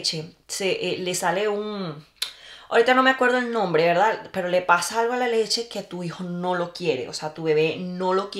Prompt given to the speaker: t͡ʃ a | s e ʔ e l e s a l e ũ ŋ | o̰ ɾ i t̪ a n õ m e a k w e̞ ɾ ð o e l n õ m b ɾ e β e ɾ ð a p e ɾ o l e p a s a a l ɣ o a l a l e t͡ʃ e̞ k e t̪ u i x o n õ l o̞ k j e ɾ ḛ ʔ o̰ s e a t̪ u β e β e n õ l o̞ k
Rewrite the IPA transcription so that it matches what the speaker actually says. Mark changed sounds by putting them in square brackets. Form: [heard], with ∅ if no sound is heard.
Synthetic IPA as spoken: t͡ʃ [e] | s e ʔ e l e s a l e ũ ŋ | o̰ ɾ i t̪ a n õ m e a k w e̞ ɾ ð o e l n õ m b ɾ e β e ɾ ð a p e ɾ o l e p a s a a l ɣ o a l a l e t͡ʃ e̞ k e t̪ u i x o n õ l o̞ k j e ɾ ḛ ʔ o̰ s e a t̪ u β e β e n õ l o̞ k